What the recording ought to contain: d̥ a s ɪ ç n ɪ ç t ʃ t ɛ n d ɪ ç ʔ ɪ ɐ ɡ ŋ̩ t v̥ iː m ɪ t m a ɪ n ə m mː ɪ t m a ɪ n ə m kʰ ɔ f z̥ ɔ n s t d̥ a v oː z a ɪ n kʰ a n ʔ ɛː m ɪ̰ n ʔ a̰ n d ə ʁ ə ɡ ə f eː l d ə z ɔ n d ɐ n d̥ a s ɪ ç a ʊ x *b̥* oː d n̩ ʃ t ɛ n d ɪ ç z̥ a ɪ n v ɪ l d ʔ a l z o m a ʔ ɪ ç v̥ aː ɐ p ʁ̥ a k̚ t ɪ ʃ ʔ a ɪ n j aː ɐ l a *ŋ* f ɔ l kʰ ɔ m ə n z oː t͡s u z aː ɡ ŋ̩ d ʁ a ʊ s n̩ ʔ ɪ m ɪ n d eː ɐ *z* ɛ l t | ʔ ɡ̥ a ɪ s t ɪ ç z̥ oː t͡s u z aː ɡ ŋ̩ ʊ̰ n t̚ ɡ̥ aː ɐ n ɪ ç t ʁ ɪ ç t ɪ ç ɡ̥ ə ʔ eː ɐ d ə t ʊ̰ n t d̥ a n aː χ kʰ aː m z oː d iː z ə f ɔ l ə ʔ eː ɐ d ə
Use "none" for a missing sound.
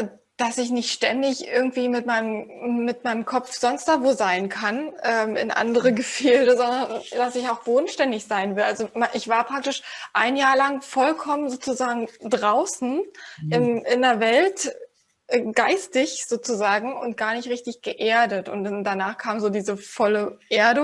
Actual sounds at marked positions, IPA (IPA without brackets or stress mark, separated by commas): b̥, ŋ, v